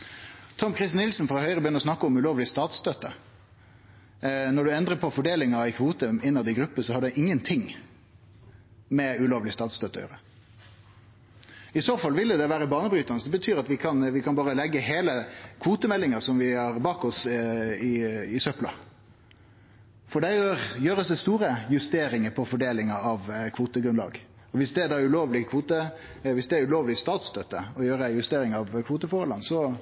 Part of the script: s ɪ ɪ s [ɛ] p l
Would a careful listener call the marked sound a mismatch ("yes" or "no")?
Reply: yes